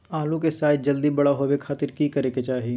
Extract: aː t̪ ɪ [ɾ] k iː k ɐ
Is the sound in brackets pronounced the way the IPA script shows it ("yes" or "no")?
yes